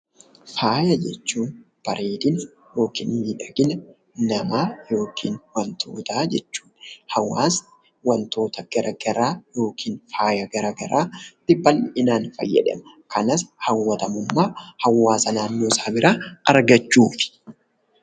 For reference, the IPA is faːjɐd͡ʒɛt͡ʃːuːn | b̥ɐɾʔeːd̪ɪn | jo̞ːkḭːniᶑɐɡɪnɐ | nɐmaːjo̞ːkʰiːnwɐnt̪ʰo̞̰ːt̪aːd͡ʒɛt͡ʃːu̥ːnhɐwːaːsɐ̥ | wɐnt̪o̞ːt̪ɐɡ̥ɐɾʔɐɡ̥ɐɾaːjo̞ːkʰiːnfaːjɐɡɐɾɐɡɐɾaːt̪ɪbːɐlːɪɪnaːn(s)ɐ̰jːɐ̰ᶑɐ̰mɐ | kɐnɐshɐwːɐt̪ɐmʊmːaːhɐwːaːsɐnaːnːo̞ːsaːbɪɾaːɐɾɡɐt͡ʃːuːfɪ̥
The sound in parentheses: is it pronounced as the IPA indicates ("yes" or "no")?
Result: no